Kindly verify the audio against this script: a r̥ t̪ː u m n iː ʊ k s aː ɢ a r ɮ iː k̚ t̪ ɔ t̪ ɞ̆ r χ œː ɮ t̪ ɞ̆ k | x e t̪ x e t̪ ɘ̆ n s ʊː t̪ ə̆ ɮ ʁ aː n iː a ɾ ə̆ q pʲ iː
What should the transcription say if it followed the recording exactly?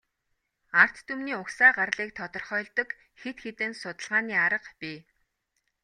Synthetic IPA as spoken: a r̥ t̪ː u m n iː ʊ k s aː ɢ a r ɮ iː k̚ t̪ʰ ɔ t̪ ɞ̆ r χ œː ɮ t̪ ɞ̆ k | x e t̪ x e t̪ ɘ̆ n s ʊ t̪ ə̆ ɮ ʁ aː n iː a ɾ ə̆ q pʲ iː